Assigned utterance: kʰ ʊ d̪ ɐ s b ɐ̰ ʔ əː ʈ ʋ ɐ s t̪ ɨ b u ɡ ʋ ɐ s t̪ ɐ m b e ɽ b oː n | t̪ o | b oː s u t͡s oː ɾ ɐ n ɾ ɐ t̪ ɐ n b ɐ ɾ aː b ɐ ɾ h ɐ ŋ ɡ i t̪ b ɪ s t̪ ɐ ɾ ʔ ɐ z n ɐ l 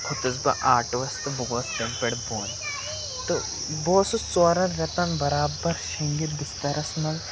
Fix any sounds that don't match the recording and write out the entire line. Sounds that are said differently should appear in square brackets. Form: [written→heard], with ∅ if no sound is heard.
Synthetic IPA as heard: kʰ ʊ [d̪→t̪] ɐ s b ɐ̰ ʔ [əː→aː] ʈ ʋ ɐ s t̪ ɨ b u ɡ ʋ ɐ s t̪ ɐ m [b→p] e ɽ b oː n | t̪ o | b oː s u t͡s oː ɾ ɐ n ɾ ɐ t̪ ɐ n b ɐ ɾ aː b ɐ ɾ [h→ʃ] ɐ ŋ ɡ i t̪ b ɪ s t̪ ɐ ɾ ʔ ɐ [z→s] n ɐ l

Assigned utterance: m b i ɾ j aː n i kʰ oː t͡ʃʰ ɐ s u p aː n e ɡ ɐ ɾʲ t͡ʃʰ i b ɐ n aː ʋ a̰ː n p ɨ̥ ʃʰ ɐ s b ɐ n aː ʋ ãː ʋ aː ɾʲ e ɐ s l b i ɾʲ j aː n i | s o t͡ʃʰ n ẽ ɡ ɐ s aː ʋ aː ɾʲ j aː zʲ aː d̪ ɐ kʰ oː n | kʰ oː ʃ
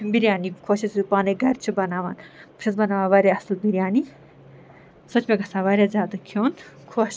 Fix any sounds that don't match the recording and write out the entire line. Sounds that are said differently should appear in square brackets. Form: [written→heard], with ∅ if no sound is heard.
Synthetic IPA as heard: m b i ɾ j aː n i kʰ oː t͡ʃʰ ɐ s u p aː n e ɡ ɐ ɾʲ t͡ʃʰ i b ɐ n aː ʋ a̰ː n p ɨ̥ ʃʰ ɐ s b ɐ n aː ʋ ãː ʋ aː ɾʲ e ɐ s l b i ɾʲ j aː n i | s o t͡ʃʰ [n→m] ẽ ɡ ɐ s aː ʋ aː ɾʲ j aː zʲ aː d̪ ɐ kʰ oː n | kʰ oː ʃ

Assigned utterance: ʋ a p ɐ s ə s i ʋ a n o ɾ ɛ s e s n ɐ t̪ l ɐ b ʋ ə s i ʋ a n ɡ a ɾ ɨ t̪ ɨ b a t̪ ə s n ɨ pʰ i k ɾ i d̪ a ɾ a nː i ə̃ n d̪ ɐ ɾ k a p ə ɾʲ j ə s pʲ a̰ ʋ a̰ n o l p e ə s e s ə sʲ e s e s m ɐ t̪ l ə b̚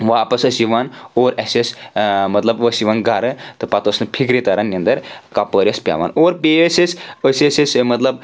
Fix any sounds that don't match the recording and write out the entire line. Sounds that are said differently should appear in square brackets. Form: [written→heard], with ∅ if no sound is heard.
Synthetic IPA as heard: ʋ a p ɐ s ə s i ʋ a n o ɾ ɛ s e s [n→m] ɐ t̪ l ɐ b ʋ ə s i ʋ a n ɡ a ɾ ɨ t̪ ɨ [b→p] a t̪ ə s n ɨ pʰ i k ɾ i [d̪→t̪] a ɾ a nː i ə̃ n d̪ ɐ ɾ k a p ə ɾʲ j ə s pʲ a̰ ʋ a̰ n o [l→ɾ] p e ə s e s ə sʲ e s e s m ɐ t̪ l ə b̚

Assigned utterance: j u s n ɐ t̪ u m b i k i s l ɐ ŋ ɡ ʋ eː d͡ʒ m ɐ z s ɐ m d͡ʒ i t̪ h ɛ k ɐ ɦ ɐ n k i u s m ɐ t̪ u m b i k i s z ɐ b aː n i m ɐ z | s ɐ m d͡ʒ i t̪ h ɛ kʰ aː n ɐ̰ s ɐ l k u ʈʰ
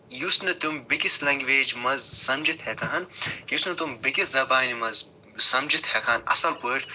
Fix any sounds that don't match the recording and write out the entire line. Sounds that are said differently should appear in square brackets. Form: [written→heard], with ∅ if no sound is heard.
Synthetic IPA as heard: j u s n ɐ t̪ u m b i k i s l ɐ ŋ ɡ ʋ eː d͡ʒ m ɐ z s ɐ m d͡ʒ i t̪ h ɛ k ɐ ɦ ɐ n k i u s [m→n] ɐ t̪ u m b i k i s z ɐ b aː n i m ɐ z | s ɐ m d͡ʒ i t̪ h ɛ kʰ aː n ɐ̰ s ɐ l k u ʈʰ

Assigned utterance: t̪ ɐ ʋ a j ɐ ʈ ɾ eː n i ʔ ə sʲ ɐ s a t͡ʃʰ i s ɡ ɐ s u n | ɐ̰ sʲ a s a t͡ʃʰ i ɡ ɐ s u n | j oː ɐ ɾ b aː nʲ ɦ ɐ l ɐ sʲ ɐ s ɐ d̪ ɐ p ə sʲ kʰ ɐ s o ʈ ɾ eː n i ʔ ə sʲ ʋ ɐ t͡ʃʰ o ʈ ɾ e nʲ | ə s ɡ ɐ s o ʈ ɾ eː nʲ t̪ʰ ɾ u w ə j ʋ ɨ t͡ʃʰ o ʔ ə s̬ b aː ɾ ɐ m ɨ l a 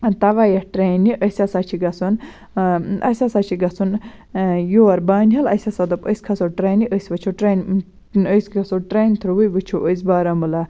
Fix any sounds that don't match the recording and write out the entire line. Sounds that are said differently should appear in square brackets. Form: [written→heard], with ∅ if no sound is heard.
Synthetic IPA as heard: t̪ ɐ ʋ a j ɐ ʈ ɾ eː n i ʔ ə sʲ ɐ s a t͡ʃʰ i [s→∅] ɡ ɐ s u n | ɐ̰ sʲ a s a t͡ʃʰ i ɡ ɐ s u n | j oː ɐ ɾ b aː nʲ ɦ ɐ l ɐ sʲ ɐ s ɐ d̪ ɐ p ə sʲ kʰ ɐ s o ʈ ɾ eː n i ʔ ə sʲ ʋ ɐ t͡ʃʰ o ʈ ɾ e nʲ | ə s ɡ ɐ s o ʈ ɾ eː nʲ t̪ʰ ɾ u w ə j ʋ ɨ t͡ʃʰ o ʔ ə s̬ b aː ɾ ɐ m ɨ l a

